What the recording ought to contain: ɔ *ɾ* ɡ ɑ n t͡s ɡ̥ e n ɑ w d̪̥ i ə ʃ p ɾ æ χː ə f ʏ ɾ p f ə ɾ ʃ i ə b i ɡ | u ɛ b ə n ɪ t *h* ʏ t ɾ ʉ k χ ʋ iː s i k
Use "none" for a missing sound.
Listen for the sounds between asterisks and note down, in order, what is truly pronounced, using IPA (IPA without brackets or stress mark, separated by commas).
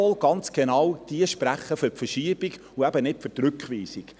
l, f